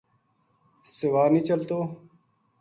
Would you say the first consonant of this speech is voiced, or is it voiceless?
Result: voiceless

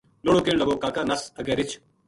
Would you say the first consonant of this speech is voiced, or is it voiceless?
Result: voiced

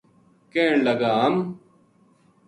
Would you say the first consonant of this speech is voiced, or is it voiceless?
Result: voiceless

